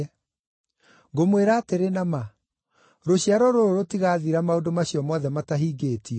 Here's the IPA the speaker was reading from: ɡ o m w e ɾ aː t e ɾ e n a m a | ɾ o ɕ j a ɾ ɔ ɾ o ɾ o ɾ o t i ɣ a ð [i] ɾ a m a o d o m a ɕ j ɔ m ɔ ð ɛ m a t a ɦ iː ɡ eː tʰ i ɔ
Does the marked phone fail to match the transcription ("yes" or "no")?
no